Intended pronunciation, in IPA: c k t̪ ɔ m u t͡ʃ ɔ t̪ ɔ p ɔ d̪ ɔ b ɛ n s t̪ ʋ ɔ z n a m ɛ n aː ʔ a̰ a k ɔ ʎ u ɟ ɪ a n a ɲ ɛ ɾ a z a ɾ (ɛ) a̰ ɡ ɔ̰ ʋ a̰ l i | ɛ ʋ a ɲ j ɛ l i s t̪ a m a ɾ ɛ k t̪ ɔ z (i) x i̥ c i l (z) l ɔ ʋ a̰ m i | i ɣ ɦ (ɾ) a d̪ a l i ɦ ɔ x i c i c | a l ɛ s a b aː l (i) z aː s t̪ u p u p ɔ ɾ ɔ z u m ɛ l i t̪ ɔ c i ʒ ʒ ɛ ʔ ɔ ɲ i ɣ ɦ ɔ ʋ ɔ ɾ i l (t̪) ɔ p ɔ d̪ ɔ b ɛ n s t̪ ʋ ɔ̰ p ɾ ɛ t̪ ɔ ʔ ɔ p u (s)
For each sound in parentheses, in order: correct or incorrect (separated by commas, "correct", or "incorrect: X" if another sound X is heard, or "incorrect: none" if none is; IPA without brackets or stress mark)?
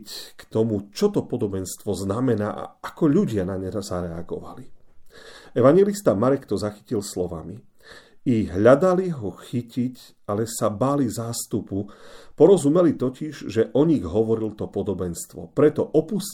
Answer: correct, incorrect: a, incorrect: s, incorrect: ʎ, correct, correct, correct